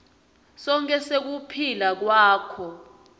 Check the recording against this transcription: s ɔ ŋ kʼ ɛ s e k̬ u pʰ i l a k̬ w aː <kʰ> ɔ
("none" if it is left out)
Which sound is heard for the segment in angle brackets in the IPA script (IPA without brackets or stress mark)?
kʰ